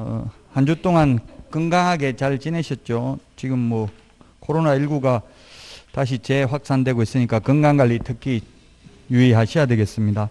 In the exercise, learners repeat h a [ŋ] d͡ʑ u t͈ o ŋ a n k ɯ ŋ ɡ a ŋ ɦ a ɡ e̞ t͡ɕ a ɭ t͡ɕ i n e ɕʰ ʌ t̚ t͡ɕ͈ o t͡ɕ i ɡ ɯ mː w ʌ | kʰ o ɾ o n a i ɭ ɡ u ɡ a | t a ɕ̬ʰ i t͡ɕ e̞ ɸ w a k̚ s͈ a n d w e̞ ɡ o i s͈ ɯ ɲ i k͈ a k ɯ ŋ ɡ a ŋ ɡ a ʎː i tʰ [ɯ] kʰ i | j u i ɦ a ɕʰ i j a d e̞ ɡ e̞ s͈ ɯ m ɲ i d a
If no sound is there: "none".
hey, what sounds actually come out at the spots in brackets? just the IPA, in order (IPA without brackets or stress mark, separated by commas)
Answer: n, ɯ